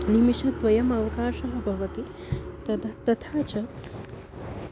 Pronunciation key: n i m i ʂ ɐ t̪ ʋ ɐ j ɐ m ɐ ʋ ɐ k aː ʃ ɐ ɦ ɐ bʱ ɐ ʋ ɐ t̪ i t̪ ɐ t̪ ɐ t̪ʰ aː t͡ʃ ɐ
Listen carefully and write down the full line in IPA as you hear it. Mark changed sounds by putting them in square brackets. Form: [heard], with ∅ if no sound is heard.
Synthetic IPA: n i m i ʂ ɐ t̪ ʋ ɐ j ɐ m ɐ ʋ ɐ k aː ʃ ɐ ɦ ɐ bʱ ɐ ʋ ɐ t̪ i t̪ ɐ t̪ ɐ t̪ʰ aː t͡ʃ ɐ